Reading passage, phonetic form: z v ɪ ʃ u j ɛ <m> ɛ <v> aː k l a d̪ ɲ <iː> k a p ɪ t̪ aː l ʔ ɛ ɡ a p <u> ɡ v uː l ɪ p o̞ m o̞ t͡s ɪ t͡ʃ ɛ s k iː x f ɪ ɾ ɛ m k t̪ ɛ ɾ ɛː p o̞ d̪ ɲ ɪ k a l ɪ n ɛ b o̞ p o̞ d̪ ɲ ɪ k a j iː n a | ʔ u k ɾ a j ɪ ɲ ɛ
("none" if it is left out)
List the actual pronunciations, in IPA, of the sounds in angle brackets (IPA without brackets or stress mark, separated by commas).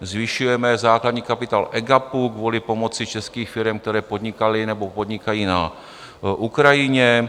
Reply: m, z, iː, u